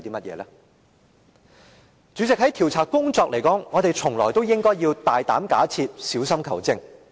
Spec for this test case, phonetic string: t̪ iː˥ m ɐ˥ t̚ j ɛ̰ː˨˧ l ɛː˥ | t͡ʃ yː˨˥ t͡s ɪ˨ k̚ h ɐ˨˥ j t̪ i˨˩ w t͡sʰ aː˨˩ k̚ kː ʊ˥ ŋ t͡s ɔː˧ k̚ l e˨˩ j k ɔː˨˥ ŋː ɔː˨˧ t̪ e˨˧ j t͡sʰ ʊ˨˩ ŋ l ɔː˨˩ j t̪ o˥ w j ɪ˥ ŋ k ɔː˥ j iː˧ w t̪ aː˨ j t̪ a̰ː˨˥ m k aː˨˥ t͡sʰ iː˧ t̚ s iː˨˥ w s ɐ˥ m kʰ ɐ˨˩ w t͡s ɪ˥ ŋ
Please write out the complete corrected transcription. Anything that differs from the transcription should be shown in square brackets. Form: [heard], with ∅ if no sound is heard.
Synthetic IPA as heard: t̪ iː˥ m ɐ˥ t̚ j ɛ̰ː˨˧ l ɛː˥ | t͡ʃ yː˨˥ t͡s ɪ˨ k̚ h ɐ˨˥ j [t̪ʰ] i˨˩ w t͡sʰ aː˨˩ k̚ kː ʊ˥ ŋ t͡s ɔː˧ k̚ l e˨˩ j k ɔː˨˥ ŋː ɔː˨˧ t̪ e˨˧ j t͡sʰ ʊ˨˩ ŋ l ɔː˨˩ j t̪ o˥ w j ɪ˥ ŋ k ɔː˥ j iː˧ w t̪ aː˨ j t̪ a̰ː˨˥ m k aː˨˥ t͡sʰ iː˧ t̚ s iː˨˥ w s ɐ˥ m kʰ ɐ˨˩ w t͡s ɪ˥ ŋ